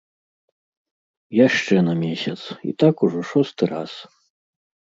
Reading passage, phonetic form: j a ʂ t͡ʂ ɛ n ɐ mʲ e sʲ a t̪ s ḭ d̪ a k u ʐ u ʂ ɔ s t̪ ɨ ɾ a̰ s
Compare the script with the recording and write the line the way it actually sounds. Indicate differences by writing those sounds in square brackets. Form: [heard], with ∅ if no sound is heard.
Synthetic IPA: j a ʂ t͡ʂ ɛ n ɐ mʲ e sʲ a t̪ s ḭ [t̪] a k u ʐ [ɔ] ʂ ɔ s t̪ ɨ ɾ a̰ s